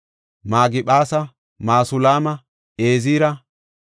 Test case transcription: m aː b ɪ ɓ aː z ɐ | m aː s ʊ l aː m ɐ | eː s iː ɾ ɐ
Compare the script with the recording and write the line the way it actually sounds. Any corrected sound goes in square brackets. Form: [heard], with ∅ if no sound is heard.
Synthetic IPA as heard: m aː [ɡ] ɪ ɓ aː [s] ɐ | m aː s ʊ l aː m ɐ | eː [z] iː ɾ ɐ